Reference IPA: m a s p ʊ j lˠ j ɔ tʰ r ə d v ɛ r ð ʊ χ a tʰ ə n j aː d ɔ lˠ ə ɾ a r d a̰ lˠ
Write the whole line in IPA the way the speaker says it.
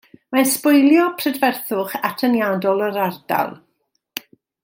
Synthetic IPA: m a s p ʊ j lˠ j ɔ pʰ r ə d v ɛ r θ ʊ χ a tʰ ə n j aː d ɔ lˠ ə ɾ a r d a̰ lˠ